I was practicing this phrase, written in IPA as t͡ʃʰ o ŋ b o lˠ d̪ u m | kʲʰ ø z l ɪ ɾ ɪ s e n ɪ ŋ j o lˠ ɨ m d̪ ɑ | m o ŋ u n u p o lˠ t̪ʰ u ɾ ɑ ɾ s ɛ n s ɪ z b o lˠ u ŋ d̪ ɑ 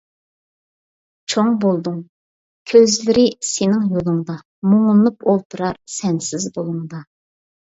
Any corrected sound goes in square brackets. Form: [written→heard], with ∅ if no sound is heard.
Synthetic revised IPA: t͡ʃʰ o ŋ b o lˠ d̪ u [m→ŋ] | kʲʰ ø z l ɪ ɾ ɪ s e n ɪ ŋ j o lˠ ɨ [m→ŋ] d̪ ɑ | m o ŋ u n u p o lˠ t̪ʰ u ɾ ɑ ɾ s ɛ n s ɪ z b o lˠ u ŋ d̪ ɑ